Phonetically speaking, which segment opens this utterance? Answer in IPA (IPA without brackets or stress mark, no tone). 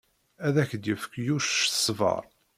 æ